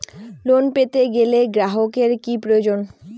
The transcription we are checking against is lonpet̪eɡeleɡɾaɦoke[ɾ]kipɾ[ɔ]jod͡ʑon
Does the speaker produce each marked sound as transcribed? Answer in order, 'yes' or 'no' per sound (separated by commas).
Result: yes, no